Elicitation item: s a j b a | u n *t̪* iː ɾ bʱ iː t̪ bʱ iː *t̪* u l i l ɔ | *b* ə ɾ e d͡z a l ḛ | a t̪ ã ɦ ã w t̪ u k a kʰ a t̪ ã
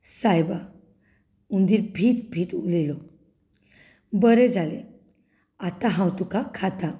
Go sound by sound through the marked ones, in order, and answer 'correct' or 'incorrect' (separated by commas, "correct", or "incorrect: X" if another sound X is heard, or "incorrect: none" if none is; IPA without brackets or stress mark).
incorrect: d̪, correct, correct